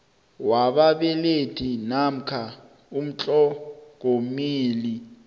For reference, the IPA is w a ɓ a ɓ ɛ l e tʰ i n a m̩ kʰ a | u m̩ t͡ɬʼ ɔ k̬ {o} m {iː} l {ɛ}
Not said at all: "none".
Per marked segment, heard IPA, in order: o, iː, i

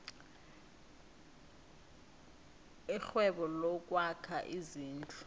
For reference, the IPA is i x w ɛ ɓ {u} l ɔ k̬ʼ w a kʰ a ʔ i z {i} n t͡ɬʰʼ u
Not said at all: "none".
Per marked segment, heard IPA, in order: ɔ, iː

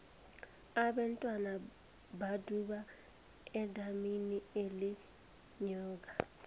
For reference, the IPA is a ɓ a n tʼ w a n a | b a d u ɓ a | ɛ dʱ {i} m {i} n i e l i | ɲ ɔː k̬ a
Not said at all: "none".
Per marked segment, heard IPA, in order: a, i

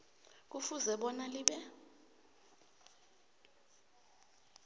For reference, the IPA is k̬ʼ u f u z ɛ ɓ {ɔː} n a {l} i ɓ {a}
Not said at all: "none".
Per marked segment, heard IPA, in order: ɔ, l, ɛ

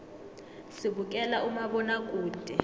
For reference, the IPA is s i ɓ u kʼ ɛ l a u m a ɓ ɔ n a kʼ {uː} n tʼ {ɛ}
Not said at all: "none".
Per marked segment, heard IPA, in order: uː, ɛ

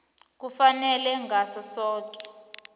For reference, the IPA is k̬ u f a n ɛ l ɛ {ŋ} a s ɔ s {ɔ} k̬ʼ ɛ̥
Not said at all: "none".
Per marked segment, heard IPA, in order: ŋ, ɔː

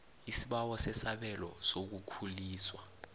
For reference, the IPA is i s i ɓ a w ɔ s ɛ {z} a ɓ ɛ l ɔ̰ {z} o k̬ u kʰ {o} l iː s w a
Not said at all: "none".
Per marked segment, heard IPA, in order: s, s, u

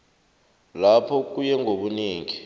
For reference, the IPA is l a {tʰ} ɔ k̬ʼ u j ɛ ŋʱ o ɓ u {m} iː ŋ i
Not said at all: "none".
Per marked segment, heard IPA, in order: pʰ, n

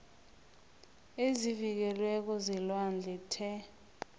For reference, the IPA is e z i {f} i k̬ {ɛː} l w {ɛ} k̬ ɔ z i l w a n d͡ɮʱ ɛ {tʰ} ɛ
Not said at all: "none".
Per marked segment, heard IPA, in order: v, ɛ, ɛ, tʰ

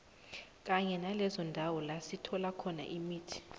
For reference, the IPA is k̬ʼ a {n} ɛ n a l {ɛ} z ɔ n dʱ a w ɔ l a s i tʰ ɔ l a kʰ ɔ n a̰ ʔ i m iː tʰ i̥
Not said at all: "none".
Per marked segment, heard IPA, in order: ɲ, ɛ

